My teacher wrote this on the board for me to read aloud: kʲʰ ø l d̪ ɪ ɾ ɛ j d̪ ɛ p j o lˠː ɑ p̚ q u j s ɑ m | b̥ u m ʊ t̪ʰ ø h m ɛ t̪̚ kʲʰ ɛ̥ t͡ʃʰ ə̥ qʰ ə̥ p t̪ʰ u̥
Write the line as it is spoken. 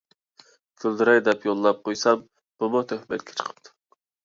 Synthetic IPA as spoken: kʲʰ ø l d̪ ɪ ɾ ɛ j d̪ ɛ p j o lˠː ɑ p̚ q o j s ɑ m | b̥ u m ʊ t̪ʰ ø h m ɛ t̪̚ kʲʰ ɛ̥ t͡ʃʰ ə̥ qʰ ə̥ p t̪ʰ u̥